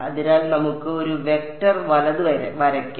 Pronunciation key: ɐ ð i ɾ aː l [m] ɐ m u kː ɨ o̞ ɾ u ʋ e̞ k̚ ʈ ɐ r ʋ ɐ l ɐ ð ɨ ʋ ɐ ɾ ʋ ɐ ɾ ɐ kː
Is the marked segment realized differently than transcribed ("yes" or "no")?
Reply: yes